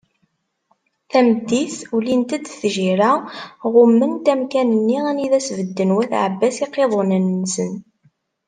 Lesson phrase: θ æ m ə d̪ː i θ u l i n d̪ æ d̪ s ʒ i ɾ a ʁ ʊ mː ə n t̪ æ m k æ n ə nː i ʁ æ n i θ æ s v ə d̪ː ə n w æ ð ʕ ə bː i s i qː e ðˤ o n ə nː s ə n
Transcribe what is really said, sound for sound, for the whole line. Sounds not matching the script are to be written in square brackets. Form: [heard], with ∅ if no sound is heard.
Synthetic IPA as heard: θ æ m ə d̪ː i θ u l i n [t̪] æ d̪ [θ] ʒ i ɾ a ʁ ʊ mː ə n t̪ æ m k æ n ə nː i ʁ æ n i [ð] æ s v ə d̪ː ə n w æ [θ] ʕ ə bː [æ] s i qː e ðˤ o n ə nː s ə n